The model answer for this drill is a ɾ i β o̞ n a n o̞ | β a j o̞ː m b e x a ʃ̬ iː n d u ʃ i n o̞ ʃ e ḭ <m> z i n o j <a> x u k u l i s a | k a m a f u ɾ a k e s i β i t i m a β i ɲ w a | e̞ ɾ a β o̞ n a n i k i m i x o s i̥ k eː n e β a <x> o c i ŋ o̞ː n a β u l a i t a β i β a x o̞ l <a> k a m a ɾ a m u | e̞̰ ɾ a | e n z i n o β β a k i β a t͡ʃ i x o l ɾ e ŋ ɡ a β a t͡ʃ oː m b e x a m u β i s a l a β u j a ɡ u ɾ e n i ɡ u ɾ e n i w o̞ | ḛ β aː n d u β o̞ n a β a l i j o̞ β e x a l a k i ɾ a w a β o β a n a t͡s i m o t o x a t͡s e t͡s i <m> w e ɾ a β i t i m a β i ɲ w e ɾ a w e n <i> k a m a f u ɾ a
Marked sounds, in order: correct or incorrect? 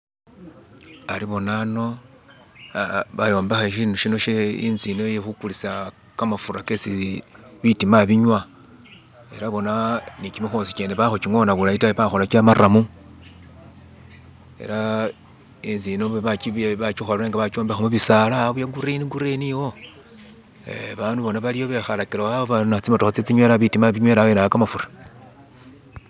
incorrect, incorrect, correct, correct, incorrect, incorrect

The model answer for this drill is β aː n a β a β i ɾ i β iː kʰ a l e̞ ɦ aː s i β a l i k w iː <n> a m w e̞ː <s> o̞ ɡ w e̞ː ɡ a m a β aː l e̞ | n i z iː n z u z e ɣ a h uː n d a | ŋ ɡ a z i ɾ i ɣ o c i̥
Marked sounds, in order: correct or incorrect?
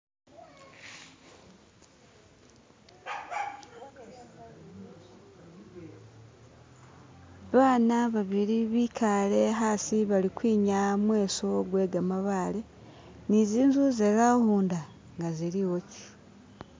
incorrect, correct

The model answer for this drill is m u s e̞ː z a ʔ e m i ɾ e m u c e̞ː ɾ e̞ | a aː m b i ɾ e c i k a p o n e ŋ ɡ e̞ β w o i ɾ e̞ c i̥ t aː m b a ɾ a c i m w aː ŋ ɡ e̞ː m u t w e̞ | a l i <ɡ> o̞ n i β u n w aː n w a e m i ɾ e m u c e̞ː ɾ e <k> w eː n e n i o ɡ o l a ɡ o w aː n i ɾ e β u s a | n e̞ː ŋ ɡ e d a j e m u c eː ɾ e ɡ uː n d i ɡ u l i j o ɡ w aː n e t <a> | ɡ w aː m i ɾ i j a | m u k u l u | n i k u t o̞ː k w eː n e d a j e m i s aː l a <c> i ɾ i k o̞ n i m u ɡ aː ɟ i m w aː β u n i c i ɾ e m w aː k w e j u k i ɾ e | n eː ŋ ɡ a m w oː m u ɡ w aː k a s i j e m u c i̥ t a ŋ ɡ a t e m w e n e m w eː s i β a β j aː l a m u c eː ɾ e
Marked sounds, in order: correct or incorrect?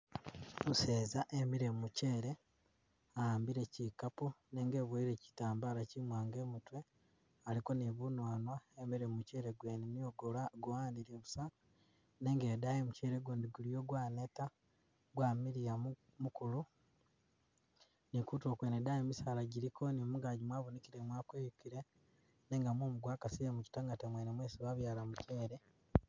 incorrect, incorrect, correct, incorrect

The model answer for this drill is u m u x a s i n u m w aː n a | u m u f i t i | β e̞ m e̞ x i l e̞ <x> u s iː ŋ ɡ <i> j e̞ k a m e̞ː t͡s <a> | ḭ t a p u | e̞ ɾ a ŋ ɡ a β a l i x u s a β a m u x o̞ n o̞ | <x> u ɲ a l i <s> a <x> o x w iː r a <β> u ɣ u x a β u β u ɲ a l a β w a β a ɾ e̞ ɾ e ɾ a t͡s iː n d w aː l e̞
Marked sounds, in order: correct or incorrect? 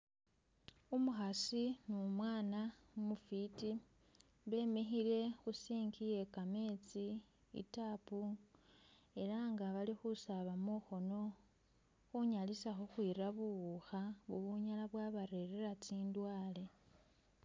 correct, correct, incorrect, correct, correct, correct, correct

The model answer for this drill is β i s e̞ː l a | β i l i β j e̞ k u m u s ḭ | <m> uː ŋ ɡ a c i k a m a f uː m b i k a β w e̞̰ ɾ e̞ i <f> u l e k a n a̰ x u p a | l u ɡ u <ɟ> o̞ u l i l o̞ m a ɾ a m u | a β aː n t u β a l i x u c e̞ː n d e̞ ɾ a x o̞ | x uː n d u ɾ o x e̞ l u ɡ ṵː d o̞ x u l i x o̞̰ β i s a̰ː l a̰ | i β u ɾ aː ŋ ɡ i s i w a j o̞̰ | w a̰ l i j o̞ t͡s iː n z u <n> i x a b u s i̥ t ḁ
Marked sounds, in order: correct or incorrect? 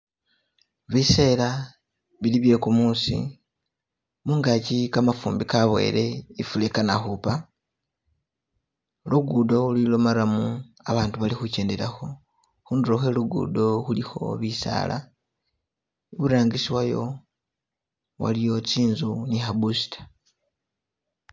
correct, correct, incorrect, correct

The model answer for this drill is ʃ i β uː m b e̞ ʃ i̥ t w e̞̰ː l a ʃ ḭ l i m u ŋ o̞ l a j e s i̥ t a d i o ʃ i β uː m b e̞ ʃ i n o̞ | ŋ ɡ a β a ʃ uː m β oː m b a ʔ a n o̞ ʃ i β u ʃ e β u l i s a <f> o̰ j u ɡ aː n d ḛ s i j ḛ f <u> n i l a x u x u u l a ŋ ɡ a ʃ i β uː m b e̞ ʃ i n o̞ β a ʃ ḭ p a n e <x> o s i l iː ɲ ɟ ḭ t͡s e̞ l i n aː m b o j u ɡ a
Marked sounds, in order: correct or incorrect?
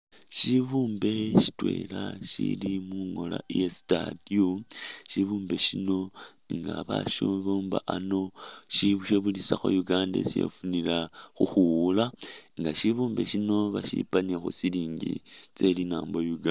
incorrect, correct, correct

